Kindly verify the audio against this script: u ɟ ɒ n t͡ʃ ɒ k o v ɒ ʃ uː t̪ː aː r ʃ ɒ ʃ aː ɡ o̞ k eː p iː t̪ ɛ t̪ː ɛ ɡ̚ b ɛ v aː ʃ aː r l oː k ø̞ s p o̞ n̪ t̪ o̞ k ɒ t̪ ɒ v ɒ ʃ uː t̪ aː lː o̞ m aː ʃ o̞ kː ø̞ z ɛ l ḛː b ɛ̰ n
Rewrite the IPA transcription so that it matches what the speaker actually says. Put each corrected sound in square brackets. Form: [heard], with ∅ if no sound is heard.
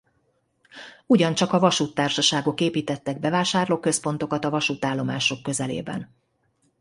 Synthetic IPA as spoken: u ɟ ɒ n t͡ʃ ɒ k [ɒ] v ɒ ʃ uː t̪ː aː r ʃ ɒ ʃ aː ɡ o̞ k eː p iː t̪ ɛ t̪ː ɛ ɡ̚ b ɛ v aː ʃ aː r l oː k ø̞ s p o̞ n̪ t̪ o̞ k ɒ t̪ ɒ v ɒ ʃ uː t̪ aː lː o̞ m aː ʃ o̞ kː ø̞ z ɛ l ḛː b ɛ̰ n